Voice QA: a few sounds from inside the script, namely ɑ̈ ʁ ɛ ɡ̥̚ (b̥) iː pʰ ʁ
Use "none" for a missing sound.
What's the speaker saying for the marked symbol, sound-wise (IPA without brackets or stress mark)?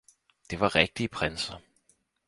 d̥